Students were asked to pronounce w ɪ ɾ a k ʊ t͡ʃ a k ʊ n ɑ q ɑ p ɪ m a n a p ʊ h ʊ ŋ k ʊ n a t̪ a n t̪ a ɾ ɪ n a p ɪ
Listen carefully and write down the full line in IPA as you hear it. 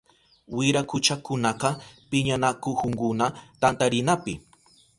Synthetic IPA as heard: w ɪ ɾ a k ʊ t͡ʃ a k ʊ n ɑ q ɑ p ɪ ɲ a n a k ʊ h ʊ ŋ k ʊ n a t̪ a n t̪ a ɾ ɪ n a p ɪ